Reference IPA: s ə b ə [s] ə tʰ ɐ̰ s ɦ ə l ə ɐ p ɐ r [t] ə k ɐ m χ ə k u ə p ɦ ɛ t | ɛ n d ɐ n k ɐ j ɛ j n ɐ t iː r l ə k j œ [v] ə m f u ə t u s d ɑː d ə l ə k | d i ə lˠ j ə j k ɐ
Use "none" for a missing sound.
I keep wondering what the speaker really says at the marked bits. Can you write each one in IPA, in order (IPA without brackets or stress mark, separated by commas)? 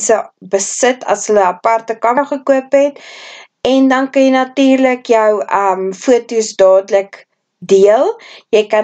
s, t, w